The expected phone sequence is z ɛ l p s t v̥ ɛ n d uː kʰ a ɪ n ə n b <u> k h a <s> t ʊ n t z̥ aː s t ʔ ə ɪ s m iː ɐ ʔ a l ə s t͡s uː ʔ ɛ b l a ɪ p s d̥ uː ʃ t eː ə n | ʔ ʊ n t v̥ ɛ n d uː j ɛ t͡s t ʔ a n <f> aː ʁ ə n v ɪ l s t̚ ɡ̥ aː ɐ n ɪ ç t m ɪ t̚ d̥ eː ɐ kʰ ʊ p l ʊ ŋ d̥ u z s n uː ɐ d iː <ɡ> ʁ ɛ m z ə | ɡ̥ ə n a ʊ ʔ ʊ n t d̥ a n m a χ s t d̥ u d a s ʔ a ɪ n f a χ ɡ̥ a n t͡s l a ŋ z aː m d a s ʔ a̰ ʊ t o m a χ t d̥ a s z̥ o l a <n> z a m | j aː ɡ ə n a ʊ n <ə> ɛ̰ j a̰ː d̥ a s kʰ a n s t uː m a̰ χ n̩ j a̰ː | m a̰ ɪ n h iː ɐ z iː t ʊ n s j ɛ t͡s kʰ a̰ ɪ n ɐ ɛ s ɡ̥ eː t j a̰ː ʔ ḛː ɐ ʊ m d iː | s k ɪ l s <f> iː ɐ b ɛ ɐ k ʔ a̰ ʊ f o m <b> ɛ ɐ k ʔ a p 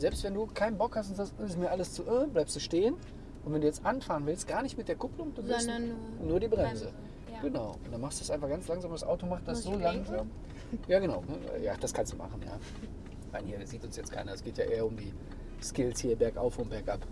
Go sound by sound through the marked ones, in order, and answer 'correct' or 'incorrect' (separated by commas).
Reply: incorrect, correct, correct, incorrect, incorrect, correct, incorrect, correct